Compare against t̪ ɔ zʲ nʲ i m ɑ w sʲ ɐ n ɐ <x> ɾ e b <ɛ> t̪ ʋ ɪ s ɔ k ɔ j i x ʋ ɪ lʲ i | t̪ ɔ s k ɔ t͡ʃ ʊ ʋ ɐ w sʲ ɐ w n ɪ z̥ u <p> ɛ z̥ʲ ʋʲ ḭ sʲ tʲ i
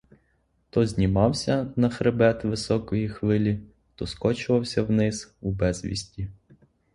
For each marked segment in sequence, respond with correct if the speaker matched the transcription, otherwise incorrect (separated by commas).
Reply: correct, correct, incorrect